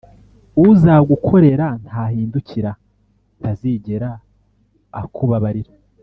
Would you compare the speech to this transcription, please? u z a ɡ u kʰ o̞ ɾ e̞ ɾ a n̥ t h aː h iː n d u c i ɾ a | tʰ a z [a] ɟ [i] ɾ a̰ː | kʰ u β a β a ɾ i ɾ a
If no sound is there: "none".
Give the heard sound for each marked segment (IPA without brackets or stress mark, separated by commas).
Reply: i, e